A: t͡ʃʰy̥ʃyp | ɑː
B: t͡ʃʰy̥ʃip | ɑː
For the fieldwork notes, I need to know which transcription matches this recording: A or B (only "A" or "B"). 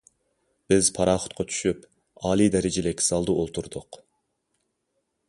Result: A